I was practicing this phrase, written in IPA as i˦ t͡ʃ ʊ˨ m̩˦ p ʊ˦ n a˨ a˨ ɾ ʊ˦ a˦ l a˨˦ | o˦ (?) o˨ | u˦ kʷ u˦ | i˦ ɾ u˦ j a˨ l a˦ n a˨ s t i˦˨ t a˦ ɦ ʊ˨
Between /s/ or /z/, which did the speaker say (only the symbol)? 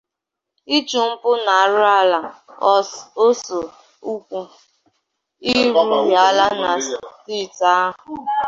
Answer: s